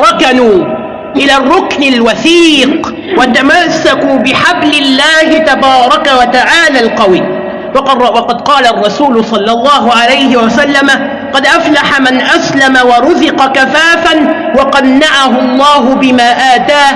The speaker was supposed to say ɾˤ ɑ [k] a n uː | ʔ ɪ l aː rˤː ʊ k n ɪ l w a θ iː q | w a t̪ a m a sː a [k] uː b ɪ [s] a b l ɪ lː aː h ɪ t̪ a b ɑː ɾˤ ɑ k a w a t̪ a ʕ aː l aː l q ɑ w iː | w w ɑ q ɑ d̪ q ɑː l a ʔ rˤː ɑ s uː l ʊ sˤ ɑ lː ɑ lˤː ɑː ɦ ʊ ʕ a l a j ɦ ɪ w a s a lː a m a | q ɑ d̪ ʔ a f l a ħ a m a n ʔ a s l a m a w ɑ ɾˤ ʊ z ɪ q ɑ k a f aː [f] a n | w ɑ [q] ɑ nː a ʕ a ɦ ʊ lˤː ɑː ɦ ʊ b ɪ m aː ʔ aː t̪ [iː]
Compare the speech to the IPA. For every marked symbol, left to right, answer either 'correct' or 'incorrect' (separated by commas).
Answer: correct, correct, incorrect, correct, correct, incorrect